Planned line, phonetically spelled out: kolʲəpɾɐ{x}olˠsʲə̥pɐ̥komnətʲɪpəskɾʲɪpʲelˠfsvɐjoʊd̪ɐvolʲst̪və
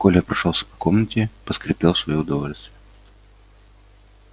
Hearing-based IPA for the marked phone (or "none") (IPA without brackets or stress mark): ʂ